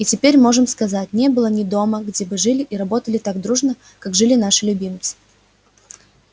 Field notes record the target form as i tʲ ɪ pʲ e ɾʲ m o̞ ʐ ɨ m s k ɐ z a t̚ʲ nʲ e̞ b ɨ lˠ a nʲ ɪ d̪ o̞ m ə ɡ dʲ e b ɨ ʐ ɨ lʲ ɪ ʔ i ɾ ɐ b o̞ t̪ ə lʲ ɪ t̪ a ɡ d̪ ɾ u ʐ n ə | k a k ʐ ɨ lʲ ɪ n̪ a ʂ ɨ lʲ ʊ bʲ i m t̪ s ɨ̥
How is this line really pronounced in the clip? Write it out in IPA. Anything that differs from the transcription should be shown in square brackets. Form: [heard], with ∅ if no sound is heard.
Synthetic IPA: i tʲ ɪ pʲ e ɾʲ m o̞ ʐ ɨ m s k ɐ z a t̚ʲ nʲ e̞ b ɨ lˠ [ə] nʲ ɪ d̪ o̞ m ə ɡ dʲ e b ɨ ʐ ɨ lʲ ɪ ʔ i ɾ ɐ b o̞ t̪ ə lʲ ɪ t̪ a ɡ d̪ ɾ u ʐ n ə | k a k ʐ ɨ lʲ ɪ n̪ a ʂ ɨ lʲ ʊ bʲ i m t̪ s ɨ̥